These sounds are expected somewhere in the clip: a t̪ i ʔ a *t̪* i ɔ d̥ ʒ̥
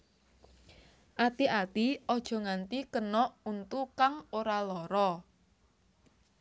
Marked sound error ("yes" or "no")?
no